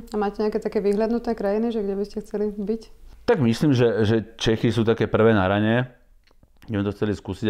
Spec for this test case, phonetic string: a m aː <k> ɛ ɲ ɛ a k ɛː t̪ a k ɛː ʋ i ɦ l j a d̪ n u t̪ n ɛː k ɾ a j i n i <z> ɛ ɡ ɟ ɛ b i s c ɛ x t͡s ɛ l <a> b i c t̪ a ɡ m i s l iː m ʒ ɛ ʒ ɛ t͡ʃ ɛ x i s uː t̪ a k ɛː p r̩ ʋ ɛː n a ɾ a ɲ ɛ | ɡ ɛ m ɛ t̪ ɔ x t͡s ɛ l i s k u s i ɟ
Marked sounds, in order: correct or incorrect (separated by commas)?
incorrect, incorrect, incorrect